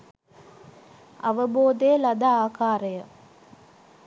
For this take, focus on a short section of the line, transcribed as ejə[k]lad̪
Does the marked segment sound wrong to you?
yes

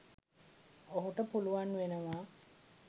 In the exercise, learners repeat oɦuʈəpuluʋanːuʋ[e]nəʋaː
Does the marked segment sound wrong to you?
no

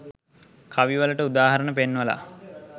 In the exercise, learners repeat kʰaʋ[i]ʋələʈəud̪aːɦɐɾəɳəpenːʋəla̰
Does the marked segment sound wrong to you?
no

